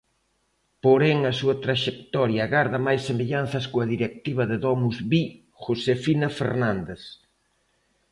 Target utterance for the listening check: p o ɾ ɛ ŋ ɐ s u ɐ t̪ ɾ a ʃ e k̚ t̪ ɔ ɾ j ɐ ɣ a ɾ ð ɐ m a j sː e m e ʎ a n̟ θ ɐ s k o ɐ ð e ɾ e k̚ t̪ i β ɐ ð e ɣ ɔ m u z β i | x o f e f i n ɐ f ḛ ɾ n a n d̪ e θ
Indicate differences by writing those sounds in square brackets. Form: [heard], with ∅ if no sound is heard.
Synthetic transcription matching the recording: p o ɾ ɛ ŋ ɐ s u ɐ t̪ ɾ a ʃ e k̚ t̪ ɔ ɾ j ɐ ɣ a ɾ ð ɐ m a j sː e m e ʎ a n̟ θ ɐ s k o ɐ ð [i] ɾ e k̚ t̪ i β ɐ ð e [ð] ɔ m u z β i | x o [s] e f i n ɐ f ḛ ɾ n a n d̪ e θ